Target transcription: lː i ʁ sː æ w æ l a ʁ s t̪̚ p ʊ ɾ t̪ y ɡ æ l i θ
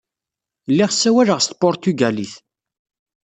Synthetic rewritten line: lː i ʁ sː æ w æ l ə ʁ s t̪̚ p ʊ ɾ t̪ y ɡ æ l i θ